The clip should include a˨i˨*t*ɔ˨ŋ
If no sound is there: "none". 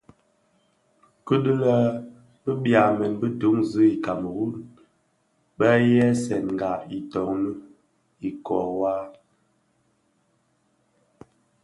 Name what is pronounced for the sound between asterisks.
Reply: t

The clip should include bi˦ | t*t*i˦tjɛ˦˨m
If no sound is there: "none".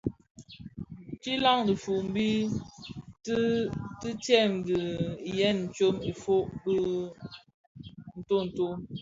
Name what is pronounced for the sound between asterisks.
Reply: t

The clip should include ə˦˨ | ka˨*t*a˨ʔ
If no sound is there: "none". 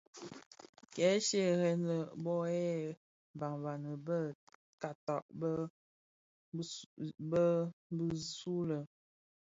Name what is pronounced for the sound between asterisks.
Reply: t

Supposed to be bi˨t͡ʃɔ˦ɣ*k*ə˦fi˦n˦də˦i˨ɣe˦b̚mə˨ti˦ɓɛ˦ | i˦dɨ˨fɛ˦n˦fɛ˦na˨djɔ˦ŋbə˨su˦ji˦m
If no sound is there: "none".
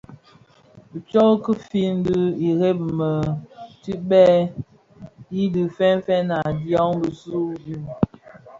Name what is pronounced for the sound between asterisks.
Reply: k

